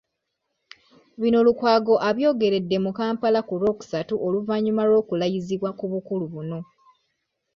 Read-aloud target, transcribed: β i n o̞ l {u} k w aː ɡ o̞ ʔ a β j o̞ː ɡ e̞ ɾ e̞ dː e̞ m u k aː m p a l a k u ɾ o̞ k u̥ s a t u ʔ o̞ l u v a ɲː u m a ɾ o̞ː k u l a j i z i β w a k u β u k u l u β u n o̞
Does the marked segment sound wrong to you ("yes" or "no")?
no